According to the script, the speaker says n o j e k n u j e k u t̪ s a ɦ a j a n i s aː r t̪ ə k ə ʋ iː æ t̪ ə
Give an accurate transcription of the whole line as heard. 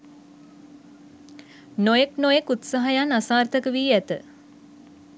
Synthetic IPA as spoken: n o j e k n o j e k u t̪ s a ɦ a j a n a s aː r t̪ ə k ə ʋ iː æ t̪ ə